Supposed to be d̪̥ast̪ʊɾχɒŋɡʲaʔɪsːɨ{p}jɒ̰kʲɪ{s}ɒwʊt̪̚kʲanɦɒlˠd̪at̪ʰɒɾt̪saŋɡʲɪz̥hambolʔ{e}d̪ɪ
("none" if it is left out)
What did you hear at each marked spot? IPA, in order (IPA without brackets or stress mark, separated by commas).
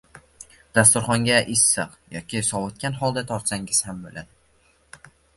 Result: q, s, a